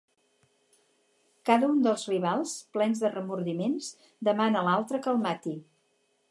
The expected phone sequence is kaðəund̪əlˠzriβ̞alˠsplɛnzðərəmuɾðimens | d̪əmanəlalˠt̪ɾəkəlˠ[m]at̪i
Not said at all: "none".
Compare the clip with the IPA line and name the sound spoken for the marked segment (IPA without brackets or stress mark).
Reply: m